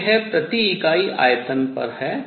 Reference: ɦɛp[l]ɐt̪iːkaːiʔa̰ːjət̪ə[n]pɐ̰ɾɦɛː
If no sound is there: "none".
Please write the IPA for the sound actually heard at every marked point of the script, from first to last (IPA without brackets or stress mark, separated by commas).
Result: ɾ, n